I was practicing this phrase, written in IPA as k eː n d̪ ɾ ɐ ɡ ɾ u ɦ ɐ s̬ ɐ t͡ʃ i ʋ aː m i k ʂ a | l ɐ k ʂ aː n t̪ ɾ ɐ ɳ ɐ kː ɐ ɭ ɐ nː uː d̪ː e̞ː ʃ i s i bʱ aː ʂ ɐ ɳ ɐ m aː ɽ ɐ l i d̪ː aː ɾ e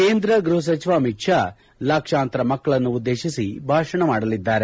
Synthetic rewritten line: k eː n d̪ ɾ ɐ ɡ ɾ u ɦ ɐ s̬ ɐ t͡ʃ i ʋ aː m i k ʂ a | l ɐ k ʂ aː n t̪ ɾ ɐ m ɐ kː ɐ ɭ ɐ nː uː d̪ː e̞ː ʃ i s i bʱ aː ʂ ɐ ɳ ɐ m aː ɽ ɐ l i d̪ː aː ɾ e